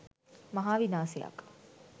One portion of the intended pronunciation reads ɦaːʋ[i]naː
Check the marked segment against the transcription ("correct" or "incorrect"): correct